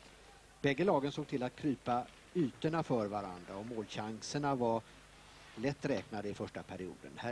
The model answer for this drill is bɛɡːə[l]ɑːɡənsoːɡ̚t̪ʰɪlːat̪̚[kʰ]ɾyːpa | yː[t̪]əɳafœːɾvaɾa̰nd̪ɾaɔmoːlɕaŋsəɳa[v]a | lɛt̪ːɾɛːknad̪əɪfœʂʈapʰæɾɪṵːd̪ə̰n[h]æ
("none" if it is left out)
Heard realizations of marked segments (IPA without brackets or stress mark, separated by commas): l, kʰ, t̪, v, h